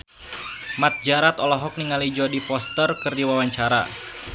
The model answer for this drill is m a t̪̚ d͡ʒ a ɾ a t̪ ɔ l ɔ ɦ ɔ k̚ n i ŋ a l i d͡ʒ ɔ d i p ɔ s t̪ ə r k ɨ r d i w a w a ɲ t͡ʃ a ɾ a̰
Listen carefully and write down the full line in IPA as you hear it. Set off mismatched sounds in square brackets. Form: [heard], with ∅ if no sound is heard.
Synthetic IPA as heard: m a t̪̚ d͡ʒ a ɾ a t̪ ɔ l ɔ ɦ ɔ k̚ n i ŋ a l i d͡ʒ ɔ d i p ɔ s t̪ ə r k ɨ r d i w a w a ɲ t͡ʃ a ɾ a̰